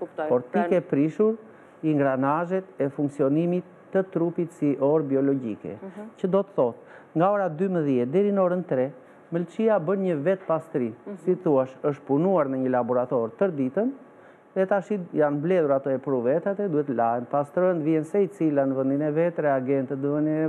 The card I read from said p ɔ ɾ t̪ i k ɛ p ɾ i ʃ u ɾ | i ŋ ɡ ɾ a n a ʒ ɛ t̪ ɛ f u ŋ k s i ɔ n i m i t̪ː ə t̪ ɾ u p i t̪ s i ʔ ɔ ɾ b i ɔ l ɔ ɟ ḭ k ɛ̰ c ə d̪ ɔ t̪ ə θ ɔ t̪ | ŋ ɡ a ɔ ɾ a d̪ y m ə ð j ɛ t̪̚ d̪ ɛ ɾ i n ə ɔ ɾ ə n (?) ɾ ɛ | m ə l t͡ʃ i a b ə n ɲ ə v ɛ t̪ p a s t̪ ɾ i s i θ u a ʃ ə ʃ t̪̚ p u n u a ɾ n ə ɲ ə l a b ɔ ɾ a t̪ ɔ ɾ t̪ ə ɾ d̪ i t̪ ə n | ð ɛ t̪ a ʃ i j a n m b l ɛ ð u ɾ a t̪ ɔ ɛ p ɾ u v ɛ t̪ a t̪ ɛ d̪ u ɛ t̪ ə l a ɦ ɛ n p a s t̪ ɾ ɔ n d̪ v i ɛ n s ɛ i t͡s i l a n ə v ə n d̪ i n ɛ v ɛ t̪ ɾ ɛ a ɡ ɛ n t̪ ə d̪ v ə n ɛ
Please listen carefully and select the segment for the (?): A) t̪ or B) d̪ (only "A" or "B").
A